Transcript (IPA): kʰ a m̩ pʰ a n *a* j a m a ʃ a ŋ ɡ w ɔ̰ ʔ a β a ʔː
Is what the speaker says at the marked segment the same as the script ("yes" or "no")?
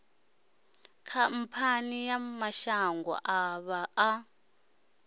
no